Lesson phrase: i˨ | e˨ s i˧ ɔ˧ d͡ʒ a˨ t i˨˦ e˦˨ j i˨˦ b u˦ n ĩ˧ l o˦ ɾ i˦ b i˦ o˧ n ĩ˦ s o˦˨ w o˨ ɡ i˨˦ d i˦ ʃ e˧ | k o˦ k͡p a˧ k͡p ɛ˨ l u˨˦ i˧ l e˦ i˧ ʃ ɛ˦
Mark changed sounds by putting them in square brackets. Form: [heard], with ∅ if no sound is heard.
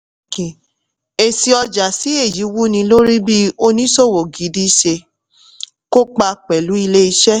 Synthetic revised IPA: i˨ | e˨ s i˧ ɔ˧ d͡ʒ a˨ [s] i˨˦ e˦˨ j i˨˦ [w] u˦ n ĩ˧ l o˦ ɾ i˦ b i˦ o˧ n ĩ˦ s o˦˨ w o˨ ɡ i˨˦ d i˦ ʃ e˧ | k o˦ k͡p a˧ k͡p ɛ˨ l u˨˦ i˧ l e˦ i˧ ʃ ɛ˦